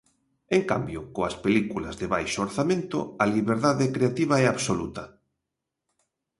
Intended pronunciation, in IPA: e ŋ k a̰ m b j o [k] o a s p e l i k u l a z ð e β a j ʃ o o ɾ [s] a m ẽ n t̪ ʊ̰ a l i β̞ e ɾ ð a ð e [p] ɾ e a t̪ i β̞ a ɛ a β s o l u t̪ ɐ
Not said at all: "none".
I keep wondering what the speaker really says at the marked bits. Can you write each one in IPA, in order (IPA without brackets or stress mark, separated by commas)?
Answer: k, θ, k